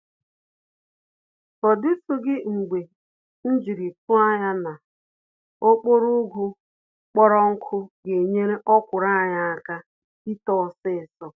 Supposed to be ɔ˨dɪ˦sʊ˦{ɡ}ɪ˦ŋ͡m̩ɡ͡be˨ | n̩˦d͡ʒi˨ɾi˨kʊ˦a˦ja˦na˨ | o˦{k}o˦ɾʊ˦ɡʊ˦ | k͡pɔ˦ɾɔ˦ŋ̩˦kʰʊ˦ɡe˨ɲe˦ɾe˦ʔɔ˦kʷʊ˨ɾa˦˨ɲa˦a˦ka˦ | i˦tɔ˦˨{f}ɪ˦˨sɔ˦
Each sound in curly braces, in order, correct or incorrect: correct, incorrect: k͡p, incorrect: s

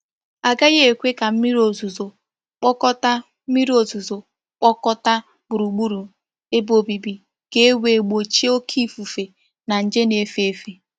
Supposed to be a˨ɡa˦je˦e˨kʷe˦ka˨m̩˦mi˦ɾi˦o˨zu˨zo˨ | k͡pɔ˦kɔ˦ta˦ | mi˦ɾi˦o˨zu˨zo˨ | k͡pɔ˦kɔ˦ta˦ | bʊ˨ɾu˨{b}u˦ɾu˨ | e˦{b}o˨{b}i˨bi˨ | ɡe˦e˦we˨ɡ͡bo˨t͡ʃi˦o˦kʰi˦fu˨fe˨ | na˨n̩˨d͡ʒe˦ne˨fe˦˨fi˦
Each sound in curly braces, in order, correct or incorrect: incorrect: ɡ͡b, correct, correct

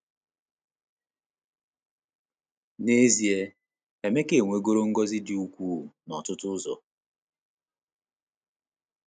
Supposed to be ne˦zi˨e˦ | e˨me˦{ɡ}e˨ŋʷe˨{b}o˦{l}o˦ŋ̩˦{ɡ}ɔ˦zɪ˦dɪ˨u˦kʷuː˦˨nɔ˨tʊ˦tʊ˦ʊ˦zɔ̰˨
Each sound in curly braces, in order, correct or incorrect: incorrect: k, incorrect: ɡ, incorrect: ɾ, correct

